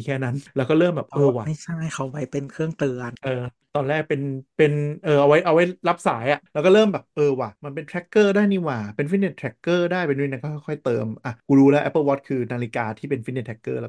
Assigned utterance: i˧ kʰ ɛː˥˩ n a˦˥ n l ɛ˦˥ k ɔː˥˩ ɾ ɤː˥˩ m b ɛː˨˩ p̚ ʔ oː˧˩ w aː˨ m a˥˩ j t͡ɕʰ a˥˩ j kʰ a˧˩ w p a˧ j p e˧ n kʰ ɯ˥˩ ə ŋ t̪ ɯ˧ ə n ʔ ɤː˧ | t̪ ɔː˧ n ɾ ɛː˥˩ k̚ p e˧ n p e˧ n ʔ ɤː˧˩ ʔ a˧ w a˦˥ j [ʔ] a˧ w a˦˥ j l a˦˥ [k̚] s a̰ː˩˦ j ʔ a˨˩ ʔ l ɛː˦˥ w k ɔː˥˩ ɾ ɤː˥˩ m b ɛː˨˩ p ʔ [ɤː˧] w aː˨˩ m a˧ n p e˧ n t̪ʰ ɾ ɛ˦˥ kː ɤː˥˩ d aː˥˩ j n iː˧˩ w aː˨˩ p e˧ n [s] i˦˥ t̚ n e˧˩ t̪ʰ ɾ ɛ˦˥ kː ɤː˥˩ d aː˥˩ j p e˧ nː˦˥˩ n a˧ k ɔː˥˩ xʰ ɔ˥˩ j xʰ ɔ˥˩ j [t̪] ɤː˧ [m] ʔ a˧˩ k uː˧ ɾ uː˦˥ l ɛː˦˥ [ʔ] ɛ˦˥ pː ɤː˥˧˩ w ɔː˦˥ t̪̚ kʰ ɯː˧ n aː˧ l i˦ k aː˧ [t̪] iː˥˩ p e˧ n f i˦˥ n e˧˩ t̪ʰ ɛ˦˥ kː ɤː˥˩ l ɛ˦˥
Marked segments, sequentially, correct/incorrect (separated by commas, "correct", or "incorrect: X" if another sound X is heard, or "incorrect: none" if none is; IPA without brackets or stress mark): correct, incorrect: p̚, correct, incorrect: f, correct, correct, correct, incorrect: t̪ʰ